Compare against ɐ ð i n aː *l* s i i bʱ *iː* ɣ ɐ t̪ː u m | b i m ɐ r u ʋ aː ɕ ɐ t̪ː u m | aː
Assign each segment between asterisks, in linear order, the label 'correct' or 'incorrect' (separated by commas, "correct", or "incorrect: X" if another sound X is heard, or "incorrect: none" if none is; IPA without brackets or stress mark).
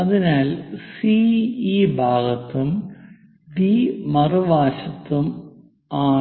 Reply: correct, incorrect: aː